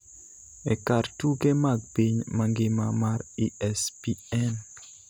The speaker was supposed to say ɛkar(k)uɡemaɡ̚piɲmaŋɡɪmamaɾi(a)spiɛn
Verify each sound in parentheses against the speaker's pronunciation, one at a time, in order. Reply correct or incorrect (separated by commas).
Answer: incorrect, incorrect